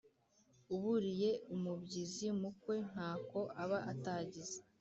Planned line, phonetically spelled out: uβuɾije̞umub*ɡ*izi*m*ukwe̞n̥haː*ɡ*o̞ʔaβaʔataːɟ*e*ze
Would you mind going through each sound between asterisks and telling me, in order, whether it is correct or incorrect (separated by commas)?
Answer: incorrect, correct, incorrect, incorrect